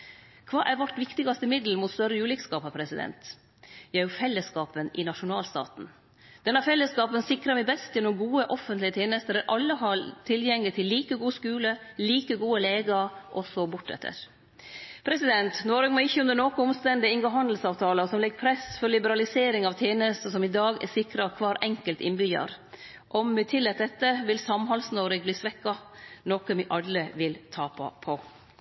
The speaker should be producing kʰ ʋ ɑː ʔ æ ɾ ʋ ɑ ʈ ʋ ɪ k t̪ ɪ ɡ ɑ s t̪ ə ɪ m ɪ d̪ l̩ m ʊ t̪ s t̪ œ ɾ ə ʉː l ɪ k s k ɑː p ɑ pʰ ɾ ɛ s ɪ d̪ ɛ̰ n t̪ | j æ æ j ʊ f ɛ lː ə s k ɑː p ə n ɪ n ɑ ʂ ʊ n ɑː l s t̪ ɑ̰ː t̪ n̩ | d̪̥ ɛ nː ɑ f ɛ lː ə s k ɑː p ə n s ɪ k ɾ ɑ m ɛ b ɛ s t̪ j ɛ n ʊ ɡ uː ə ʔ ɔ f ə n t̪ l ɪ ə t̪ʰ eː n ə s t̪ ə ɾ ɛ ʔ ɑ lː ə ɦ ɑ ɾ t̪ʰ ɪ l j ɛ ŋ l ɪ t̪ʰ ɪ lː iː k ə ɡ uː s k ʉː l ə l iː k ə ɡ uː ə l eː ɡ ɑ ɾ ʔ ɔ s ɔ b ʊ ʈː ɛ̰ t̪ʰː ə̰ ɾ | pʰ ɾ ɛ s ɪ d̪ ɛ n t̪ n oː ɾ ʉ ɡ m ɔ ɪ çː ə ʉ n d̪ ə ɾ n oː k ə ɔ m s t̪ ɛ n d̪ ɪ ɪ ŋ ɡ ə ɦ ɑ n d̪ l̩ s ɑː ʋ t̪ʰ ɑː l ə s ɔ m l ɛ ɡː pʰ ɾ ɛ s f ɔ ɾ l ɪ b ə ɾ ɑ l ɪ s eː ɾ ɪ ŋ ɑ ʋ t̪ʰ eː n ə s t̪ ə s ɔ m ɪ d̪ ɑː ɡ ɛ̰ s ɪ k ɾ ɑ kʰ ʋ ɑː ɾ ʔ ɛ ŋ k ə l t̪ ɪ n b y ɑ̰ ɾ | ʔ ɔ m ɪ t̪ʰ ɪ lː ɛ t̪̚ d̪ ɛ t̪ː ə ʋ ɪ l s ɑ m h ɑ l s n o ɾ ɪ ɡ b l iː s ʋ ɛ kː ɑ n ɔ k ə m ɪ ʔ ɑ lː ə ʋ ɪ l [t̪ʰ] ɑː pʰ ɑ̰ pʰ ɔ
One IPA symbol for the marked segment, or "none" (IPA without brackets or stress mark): t̪ʰ